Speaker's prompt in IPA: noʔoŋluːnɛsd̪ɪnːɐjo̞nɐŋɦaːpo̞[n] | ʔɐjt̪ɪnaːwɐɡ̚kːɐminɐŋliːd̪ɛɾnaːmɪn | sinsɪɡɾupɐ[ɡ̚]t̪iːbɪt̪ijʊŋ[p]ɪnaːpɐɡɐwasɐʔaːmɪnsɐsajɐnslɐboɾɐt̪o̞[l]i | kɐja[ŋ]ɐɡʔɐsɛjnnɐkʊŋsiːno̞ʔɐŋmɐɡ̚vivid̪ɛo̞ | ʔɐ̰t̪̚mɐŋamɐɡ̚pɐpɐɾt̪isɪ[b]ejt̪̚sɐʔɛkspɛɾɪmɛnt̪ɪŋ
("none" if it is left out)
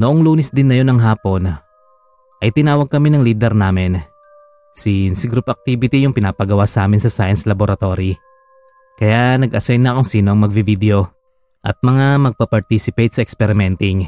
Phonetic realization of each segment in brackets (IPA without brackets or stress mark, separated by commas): n, k̚, p, ɾ, n, p